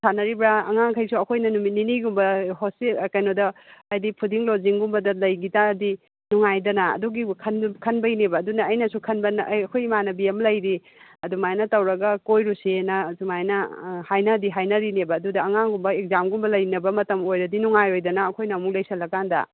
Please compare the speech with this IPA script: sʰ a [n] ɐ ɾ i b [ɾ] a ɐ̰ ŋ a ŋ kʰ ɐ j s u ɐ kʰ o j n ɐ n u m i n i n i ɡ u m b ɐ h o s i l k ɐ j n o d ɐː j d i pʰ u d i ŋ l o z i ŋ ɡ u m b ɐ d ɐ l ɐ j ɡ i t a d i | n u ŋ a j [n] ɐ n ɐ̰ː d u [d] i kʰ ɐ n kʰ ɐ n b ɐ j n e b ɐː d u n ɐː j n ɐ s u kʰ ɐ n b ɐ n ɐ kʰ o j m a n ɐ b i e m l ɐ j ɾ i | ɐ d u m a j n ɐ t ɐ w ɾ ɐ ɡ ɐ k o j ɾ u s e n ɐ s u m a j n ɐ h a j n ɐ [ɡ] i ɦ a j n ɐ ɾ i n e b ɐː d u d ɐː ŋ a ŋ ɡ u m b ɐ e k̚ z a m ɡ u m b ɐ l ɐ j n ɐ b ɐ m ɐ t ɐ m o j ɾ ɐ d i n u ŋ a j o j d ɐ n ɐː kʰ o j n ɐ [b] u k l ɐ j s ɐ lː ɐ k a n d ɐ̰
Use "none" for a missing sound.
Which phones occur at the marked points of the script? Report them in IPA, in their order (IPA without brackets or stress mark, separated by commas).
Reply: n, ɾ, d, ɡ, d, m